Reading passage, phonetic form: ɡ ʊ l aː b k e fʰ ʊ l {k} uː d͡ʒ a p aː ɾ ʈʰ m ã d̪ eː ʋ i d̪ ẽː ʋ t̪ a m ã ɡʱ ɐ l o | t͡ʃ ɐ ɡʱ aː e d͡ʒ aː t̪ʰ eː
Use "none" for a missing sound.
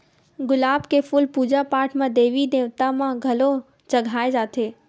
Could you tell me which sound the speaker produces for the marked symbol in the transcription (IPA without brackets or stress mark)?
p